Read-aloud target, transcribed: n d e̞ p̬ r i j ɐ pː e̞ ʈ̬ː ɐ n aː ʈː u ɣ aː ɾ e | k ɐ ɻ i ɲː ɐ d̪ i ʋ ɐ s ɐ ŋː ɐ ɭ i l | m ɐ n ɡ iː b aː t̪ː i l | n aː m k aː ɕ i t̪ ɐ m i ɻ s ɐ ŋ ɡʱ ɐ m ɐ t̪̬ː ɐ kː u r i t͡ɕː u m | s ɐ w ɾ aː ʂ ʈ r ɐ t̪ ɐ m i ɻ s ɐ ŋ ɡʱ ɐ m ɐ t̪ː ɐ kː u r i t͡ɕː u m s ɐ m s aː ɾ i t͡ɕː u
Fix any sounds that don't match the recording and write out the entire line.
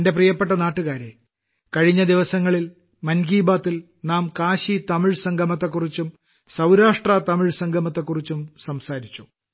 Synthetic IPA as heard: n d e̞ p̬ r i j ɐ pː e̞ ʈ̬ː ɐ n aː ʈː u ɣ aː ɾ e | k ɐ ɻ i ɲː ɐ d̪ i ʋ ɐ s ɐ ŋː ɐ ɭ i l | m ɐ n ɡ iː b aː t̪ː i l | n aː m k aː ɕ i t̪ ɐ m i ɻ s ɐ ŋ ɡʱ ɐ m ɐ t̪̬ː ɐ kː u r i t͡ɕː u m | s ɐ w ɾ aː ʂ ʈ r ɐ t̪ ɐ m i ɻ s ɐ ŋ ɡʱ ɐ m ɐ t̪ː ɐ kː u r i t͡ɕː u m s ɐ m s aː ɾ i t͡ɕː u